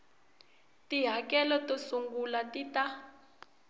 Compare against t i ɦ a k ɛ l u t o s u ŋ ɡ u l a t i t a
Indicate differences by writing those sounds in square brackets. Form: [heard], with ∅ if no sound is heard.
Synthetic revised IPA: t i ɦ a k ɛ l [ɔ] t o s u ŋ ɡ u l a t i t a